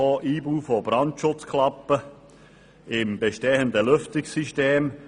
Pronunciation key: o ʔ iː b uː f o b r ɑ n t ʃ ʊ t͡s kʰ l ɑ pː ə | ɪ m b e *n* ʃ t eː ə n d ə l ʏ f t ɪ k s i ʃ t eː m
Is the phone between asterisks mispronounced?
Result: yes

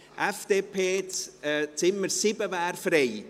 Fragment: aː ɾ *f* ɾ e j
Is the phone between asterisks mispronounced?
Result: no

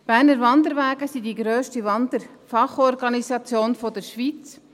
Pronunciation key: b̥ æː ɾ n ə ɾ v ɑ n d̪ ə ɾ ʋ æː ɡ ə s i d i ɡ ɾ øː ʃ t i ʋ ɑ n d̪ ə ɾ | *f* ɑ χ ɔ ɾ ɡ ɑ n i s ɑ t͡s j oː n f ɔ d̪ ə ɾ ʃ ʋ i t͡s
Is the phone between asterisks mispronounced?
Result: no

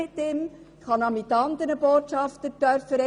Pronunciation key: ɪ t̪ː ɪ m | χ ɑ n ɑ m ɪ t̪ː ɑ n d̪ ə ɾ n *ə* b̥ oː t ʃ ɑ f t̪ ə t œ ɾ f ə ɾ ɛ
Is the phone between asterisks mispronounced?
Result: no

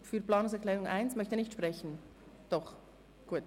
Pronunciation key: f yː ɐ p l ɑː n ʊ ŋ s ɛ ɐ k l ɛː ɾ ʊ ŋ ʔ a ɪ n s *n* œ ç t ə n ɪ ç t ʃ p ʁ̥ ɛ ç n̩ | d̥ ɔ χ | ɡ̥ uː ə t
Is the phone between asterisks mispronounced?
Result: yes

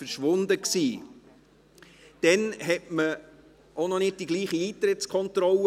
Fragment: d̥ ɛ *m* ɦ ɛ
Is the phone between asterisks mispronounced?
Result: yes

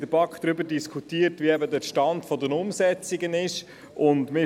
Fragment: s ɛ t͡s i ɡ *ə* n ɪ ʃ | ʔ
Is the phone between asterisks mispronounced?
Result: no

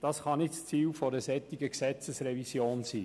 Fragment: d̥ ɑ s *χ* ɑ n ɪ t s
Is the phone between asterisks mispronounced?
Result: no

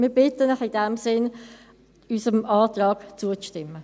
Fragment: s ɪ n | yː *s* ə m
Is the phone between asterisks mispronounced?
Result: no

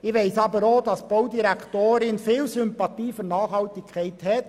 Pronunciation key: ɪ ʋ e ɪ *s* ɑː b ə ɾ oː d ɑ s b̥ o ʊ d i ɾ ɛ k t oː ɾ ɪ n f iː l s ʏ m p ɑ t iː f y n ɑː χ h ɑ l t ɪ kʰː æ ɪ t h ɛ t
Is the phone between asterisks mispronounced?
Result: no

